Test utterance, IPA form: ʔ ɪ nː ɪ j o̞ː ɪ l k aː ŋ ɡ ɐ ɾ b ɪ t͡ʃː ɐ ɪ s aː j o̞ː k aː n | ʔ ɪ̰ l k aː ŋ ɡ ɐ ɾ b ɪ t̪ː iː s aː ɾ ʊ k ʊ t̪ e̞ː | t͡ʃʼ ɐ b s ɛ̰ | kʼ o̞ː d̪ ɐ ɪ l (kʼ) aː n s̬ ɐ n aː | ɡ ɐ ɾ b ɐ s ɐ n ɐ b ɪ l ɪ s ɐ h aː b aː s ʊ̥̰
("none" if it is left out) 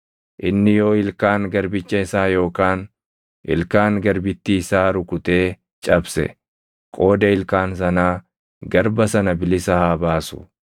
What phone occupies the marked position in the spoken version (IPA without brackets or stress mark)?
k